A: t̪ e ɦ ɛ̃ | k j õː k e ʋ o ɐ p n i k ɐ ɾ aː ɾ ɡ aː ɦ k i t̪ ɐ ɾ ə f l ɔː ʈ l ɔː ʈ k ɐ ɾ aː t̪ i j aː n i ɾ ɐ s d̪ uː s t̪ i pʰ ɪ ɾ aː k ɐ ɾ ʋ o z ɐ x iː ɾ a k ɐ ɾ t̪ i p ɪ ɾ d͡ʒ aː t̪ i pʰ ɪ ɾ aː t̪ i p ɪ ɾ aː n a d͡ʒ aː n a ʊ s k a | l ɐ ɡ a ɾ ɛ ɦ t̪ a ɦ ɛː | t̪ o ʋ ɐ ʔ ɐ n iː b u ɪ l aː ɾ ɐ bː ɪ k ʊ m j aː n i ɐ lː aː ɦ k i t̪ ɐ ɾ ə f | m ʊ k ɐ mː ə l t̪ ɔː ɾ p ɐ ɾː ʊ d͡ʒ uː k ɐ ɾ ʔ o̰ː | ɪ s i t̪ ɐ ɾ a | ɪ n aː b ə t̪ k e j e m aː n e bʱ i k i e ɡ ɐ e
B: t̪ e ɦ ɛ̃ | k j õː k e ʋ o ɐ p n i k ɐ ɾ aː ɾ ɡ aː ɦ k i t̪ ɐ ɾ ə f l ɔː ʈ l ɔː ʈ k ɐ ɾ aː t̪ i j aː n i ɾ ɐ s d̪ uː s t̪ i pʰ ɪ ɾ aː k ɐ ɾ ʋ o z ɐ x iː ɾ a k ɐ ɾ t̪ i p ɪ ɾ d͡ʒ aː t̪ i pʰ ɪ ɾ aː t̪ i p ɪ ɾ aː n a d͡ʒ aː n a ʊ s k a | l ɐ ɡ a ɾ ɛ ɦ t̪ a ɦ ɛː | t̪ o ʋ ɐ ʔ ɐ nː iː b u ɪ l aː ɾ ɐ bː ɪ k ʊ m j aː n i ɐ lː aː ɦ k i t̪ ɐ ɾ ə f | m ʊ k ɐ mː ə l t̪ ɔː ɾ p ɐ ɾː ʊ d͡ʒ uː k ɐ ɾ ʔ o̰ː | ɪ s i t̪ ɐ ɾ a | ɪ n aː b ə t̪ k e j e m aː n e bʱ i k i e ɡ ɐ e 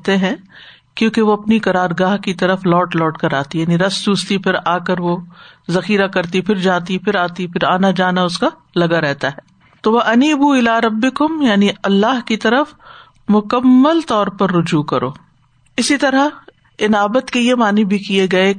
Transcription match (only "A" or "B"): A